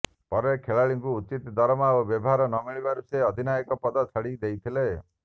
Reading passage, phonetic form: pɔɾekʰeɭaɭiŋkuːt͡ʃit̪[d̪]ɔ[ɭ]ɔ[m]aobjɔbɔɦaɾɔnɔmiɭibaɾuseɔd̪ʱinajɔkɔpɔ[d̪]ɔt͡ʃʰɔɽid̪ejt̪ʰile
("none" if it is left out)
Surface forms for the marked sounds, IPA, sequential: d̪, ɾ, m, d̪

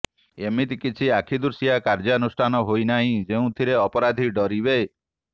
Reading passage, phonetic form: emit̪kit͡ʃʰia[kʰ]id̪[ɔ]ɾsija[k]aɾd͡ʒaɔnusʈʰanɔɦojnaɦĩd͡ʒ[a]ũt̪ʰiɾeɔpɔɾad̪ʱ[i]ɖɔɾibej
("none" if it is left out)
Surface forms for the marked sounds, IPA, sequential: kʰ, u, k, e, i

